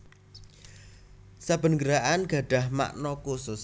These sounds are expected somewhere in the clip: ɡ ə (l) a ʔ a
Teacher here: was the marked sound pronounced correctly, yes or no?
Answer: no